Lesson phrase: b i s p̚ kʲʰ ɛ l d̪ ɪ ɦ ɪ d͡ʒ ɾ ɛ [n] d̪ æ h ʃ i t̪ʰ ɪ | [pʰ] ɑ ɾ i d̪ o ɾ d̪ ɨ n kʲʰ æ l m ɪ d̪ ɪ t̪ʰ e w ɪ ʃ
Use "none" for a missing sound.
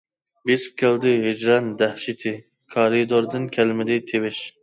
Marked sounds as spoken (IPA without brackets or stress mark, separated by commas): n, kʰ